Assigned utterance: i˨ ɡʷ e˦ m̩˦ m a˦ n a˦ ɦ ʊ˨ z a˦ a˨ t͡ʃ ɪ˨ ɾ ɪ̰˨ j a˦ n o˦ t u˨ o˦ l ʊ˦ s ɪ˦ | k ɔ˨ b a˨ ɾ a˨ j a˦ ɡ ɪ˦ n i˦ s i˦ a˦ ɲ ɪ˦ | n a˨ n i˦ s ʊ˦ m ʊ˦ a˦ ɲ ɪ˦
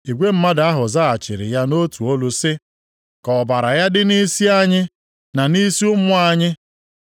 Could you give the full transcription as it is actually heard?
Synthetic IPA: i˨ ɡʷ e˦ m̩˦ m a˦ d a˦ ɦ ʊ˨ z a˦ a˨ t͡ʃ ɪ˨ ɾ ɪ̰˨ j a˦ n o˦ t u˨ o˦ l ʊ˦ s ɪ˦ | k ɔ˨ b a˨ ɾ a˨ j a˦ d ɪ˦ n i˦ s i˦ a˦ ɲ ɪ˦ | n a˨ n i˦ s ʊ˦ m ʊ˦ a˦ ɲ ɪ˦